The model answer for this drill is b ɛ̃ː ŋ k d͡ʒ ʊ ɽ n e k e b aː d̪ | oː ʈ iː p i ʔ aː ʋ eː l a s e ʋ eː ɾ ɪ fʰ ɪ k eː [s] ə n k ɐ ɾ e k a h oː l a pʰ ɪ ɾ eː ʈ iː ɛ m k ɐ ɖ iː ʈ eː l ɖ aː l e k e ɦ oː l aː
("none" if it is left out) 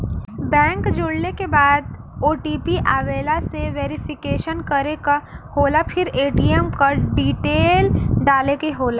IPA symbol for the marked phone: ʃ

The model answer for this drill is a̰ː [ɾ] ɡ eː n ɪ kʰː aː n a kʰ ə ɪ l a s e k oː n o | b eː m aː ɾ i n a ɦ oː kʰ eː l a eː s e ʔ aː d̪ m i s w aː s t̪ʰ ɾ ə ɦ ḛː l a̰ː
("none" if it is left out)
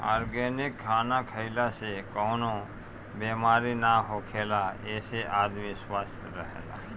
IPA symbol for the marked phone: ɾ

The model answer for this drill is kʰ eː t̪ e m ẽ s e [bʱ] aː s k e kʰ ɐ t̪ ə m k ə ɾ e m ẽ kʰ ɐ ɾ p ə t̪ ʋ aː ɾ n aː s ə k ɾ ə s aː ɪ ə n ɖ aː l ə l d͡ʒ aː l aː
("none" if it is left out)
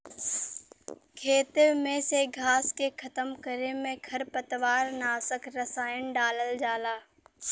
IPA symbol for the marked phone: ɡʱ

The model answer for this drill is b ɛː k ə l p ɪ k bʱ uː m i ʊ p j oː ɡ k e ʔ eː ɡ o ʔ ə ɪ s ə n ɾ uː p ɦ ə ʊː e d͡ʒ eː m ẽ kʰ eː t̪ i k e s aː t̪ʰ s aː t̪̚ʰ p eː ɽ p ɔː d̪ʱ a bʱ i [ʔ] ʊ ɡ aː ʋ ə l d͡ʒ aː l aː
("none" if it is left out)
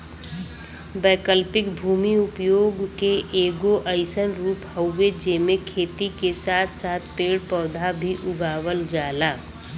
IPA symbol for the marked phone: ʔ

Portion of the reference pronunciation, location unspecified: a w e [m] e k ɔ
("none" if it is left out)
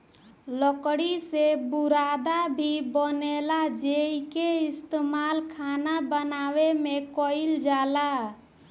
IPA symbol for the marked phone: m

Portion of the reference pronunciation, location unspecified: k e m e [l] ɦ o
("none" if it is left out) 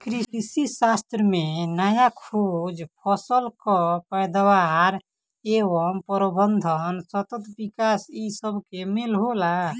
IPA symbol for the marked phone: l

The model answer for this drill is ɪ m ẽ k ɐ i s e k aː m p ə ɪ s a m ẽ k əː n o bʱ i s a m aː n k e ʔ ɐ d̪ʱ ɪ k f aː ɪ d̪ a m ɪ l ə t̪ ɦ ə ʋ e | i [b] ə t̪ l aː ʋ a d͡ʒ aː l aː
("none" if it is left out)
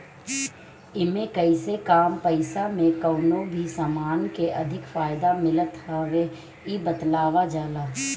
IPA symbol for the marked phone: b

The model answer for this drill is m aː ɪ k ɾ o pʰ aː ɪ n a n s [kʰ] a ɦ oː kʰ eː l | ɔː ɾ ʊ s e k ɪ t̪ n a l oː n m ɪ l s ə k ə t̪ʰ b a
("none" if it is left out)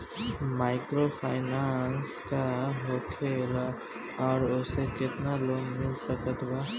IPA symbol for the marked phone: k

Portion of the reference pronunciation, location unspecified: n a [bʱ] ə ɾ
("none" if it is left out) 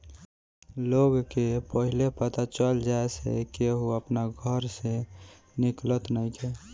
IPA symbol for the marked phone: ɡʱ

